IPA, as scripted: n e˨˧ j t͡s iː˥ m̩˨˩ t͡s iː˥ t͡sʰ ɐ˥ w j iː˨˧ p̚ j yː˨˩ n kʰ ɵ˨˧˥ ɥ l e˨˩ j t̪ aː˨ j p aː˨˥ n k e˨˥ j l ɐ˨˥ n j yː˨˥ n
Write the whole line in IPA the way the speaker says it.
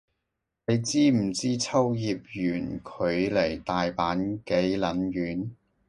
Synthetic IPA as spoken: n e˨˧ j t͡s iː˥ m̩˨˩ t͡s iː˥ t͡sʰ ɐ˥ w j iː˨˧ p̚ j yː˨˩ n kʰ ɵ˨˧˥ ɥ l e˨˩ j t̪ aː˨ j p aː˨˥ n k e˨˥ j l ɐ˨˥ n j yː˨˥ n